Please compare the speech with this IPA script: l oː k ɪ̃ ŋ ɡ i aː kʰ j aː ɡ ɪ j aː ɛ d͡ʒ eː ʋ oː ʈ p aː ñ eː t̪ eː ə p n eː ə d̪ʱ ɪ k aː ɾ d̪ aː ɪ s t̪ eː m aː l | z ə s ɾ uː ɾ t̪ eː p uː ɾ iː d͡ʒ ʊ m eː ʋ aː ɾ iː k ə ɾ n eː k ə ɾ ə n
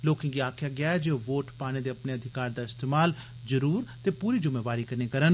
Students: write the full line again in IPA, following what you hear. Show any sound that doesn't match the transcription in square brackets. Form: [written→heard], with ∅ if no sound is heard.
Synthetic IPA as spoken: l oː k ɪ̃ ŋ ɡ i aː kʰ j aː ɡ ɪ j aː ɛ d͡ʒ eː ʋ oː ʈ p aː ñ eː [t̪→d̪] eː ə p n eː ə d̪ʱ ɪ k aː ɾ d̪ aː ɪ s t̪ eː m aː l | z ə [s→∅] ɾ uː ɾ t̪ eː p uː ɾ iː d͡ʒ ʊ m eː ʋ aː ɾ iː k ə ɾ n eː k ə ɾ ə n